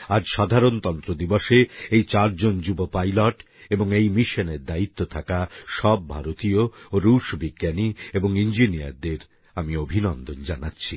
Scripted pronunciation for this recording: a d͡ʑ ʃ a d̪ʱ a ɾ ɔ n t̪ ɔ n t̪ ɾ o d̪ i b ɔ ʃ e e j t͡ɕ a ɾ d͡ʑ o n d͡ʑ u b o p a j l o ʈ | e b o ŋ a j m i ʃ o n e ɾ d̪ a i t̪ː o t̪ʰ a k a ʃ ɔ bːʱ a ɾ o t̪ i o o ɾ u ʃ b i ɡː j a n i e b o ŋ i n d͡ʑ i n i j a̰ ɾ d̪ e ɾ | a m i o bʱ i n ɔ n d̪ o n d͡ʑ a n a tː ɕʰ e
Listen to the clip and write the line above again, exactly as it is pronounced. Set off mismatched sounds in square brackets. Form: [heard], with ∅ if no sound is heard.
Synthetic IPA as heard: a d͡ʑ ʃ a d̪ʱ a ɾ [o] n t̪ ɔ n t̪ ɾ o d̪ i b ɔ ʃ e e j t͡ɕ a ɾ d͡ʑ o n d͡ʑ u b o p a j l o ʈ | e b o ŋ [e] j m i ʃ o n e ɾ d̪ a i t̪ː o t̪ʰ a k a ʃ ɔ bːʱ a ɾ o t̪ i o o ɾ u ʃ b i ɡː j a n i e b o ŋ i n d͡ʑ i n i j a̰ ɾ d̪ e ɾ | a m i o bʱ i n ɔ n d̪ o n d͡ʑ a n a tː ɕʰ [i]